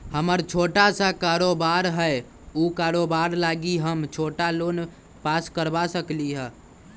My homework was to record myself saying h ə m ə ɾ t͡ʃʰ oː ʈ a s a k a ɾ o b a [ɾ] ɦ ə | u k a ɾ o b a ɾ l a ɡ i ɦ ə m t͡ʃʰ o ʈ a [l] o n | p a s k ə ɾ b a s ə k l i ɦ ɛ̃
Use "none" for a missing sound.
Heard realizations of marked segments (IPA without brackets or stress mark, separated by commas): ɾ, l